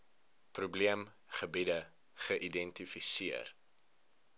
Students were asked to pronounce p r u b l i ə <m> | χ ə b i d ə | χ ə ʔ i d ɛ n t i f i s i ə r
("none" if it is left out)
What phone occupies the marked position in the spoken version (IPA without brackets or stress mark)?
m